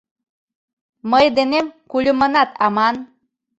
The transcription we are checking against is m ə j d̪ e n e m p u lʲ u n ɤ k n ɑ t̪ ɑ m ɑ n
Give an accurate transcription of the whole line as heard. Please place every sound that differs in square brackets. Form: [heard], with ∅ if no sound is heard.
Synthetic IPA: m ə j d̪ e n e m [k] u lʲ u [m] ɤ [∅] n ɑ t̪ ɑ m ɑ n